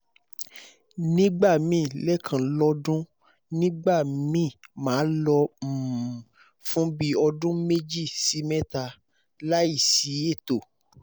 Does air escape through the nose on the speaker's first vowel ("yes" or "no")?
yes